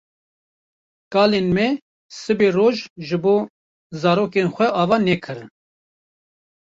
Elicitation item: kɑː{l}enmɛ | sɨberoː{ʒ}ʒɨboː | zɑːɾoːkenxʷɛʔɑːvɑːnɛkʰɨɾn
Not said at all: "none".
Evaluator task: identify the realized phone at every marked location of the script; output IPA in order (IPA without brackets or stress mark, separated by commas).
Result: l, ʒ